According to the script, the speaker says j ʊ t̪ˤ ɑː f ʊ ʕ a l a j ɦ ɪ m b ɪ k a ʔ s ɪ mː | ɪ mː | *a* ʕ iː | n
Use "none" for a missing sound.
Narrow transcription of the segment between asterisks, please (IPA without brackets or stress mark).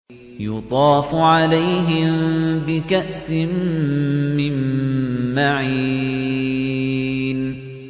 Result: a